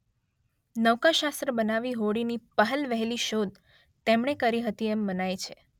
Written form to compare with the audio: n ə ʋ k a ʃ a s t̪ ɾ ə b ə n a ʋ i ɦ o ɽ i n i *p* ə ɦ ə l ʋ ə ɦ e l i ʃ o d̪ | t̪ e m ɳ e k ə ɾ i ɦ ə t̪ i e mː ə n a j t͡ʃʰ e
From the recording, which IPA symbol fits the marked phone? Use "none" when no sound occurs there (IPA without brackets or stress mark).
p